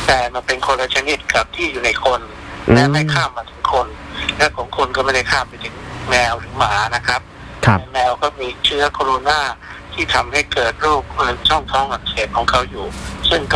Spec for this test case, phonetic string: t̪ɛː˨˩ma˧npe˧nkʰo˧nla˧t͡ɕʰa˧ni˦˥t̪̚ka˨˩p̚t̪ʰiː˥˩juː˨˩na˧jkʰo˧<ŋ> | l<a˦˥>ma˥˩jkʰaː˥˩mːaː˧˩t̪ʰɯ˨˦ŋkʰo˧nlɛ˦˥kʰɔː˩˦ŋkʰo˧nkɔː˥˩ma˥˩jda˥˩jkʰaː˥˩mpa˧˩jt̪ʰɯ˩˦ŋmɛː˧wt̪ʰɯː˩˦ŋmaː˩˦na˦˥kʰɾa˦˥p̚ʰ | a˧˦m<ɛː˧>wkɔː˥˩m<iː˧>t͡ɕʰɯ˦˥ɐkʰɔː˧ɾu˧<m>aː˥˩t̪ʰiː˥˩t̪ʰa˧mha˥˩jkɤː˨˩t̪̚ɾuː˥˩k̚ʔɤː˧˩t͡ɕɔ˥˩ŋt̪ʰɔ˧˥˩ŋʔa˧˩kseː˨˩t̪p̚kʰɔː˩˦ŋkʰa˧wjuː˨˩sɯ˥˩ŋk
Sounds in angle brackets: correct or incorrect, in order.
incorrect: n, incorrect: ɛ˦˥, correct, correct, incorrect: n

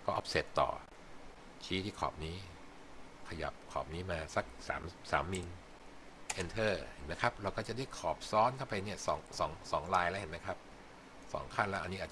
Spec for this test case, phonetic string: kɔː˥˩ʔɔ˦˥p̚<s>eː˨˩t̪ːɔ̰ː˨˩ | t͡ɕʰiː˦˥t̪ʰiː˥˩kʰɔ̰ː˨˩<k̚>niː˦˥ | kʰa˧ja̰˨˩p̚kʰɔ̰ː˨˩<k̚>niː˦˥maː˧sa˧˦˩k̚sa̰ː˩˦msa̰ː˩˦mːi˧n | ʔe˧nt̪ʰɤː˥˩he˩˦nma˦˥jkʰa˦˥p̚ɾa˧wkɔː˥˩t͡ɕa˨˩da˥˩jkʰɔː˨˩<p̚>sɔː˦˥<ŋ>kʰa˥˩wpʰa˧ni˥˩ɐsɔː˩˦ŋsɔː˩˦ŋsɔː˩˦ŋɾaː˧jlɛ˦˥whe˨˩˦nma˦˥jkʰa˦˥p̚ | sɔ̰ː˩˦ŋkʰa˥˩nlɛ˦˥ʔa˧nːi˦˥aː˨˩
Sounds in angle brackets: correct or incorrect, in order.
correct, incorrect: p̚, incorrect: p̚, correct, incorrect: n

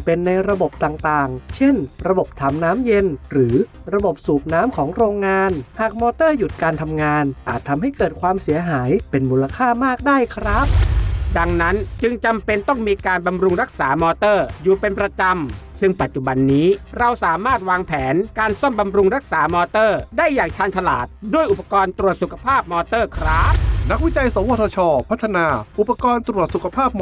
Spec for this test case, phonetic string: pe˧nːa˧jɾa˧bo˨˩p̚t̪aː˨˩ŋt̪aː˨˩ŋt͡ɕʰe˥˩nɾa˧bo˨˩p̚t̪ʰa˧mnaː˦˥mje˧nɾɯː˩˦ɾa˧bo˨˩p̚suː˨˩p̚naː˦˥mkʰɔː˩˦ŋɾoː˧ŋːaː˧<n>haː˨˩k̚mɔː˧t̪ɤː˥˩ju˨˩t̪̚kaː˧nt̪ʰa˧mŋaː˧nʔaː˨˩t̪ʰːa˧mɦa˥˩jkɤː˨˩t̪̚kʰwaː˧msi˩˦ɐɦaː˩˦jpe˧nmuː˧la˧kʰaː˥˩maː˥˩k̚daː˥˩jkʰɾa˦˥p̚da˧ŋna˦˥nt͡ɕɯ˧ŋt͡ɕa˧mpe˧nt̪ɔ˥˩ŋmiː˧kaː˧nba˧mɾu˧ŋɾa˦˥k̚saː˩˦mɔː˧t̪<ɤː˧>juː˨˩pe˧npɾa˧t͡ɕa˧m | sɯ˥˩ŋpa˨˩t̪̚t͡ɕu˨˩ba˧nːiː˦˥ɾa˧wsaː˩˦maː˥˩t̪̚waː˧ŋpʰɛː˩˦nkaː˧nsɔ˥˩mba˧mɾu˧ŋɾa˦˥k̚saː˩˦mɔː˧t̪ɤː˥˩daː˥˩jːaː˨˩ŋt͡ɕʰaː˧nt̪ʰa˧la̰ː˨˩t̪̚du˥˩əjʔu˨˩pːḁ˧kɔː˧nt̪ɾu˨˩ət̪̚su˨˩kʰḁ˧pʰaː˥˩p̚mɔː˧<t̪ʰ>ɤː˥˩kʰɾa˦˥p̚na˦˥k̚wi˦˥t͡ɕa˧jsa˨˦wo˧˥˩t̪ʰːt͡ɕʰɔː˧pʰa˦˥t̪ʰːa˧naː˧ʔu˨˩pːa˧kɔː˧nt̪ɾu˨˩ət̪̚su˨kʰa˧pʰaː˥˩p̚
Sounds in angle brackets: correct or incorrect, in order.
correct, incorrect: ɤː˥˩, incorrect: t̪

